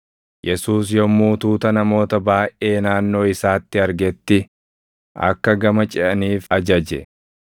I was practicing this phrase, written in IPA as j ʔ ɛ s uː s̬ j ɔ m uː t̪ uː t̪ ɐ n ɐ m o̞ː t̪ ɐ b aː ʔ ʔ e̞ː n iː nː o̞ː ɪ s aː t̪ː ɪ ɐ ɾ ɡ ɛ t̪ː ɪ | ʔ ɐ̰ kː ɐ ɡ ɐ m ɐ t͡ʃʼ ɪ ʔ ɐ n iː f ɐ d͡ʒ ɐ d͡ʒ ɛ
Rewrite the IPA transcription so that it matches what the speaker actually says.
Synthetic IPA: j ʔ ɛ s uː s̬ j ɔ m uː t̪ uː t̪ ɐ n ɐ m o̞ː t̪ ɐ b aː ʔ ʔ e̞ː n aː nː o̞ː ɪ s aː t̪ː ɪ ɐ ɾ ɡ ɛ t̪ː ɪ | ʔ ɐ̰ kː ɐ ɡ ɐ m ɐ t͡ʃʼ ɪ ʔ ɐ n iː f ɐ d͡ʒ ɐ d͡ʒ ɛ